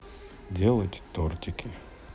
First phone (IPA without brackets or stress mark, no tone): dʲ